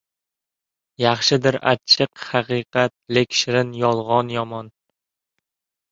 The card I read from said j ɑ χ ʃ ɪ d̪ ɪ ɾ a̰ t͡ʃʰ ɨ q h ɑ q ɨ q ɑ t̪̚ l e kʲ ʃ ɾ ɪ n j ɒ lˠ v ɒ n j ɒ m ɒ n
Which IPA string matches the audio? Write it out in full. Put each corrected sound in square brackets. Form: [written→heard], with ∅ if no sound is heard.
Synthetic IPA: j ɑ χ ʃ ɪ d̪ ɪ ɾ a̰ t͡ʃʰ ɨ q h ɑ q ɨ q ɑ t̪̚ l e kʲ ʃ ɾ ɪ n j ɒ lˠ [v→ʁ] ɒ n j ɒ m ɒ n